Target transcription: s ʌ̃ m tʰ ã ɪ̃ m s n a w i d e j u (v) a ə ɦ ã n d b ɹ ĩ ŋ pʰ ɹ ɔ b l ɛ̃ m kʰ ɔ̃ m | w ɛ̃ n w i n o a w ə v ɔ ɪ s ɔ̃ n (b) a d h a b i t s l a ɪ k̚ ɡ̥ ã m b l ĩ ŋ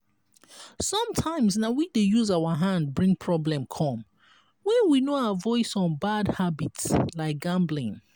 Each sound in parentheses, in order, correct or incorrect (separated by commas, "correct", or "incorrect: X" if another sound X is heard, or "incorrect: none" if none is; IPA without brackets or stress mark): incorrect: z, correct